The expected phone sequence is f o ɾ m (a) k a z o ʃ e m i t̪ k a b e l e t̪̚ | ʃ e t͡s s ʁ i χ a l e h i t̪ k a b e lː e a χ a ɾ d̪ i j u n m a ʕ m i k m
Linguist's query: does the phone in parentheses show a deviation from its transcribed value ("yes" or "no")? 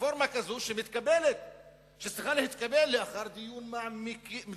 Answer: no